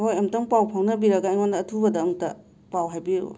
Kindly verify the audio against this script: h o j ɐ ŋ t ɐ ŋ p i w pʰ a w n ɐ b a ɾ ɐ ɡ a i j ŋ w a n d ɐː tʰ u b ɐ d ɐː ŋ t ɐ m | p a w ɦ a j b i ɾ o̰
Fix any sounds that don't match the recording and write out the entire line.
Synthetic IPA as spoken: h o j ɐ m t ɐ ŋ p a w pʰ a w n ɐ b i ɾ ɐ ɡ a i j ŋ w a n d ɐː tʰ u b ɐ d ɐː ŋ t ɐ | p a w ɦ a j b i ɾ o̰